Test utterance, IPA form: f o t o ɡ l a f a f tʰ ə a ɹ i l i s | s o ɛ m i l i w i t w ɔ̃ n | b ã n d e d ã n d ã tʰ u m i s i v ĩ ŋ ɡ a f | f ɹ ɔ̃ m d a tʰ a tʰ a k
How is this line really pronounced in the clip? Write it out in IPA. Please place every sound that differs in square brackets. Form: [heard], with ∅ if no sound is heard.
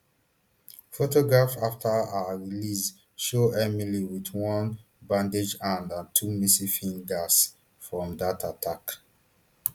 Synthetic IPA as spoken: f o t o ɡ [ɹ] a f a f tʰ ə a ɹ i l i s | [ʃ] o ɛ m i l i w i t w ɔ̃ n | b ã n d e [d͡ʒ] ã n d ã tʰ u m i s i [f] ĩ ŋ ɡ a [s] | f ɹ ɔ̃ m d a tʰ a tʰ a k